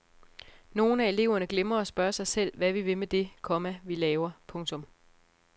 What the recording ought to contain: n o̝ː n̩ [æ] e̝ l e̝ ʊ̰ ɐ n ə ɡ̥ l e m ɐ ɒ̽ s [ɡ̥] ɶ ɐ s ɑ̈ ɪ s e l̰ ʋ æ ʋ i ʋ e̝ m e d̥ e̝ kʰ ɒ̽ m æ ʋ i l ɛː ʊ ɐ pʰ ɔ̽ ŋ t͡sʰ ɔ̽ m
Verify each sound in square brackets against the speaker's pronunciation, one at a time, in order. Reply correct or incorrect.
correct, incorrect: b̥

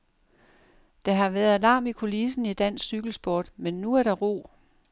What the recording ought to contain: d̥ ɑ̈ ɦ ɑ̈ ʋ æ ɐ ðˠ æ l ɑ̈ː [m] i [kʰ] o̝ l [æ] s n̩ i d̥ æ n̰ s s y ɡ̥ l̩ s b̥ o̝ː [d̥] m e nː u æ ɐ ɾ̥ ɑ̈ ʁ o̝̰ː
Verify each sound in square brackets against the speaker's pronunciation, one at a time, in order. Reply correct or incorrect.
correct, correct, incorrect: i, correct

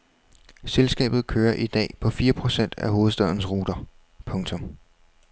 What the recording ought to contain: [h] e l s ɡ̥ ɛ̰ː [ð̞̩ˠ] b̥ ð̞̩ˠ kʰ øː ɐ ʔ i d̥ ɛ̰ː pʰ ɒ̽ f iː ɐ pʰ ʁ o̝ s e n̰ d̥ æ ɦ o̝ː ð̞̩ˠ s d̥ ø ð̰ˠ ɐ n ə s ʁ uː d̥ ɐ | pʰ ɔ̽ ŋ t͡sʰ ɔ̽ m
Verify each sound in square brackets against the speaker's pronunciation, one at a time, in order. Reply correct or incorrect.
incorrect: s, incorrect: none

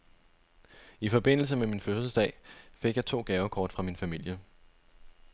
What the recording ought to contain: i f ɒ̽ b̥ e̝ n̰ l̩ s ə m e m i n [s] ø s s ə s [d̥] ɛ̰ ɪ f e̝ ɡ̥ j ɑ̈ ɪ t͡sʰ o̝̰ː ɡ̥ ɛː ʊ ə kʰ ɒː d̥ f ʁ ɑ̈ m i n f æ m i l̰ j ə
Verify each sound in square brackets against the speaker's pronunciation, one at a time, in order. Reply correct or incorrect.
incorrect: f, correct

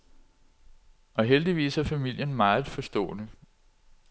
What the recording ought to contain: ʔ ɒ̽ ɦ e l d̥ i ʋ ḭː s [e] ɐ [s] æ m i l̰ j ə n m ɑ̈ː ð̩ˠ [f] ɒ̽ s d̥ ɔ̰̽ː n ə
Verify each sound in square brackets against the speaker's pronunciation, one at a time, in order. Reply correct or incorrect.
incorrect: æ, incorrect: f, correct

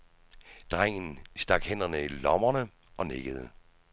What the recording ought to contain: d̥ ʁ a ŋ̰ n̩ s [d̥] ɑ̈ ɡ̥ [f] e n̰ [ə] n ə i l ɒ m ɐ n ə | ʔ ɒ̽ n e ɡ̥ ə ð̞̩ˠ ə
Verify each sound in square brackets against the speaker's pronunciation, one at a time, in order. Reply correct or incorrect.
correct, incorrect: h, incorrect: ɐ

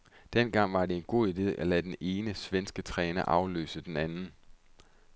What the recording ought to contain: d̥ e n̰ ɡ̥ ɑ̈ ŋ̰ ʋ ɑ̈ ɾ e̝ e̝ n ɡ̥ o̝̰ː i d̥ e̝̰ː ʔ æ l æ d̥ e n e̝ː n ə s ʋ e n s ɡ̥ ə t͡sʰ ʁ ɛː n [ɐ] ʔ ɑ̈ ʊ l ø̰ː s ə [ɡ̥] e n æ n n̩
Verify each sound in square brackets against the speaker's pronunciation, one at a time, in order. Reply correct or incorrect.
correct, incorrect: d̥

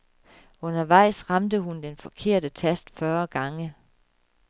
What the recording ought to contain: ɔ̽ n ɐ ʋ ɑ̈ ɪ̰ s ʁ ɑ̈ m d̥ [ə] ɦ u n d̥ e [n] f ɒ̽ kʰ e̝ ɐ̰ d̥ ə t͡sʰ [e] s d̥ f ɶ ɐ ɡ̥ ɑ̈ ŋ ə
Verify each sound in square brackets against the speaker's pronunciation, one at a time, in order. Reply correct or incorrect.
correct, correct, incorrect: æ

